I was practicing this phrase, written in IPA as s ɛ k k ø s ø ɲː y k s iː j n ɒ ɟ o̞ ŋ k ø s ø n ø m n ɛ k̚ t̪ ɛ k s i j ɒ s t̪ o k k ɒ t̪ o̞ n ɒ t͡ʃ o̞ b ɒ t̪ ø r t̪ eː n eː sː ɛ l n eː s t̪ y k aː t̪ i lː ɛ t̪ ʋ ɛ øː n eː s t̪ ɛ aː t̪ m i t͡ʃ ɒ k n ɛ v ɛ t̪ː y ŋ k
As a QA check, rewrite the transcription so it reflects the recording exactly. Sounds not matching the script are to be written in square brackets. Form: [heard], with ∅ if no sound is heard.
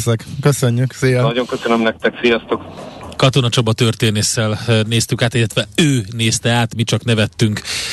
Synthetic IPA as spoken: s ɛ k k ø s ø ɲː y k s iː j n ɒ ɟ o̞ ŋ k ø s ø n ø m n ɛ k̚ t̪ ɛ k s i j ɒ s t̪ o k k ɒ t̪ o̞ n ɒ t͡ʃ o̞ b ɒ t̪ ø r t̪ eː n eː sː ɛ l n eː s t̪ y k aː t̪ i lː ɛ t̪ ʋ ɛ øː n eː s t̪ ɛ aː t̪ m i t͡ʃ ɒ k n ɛ v ɛ t̪ː y ŋ k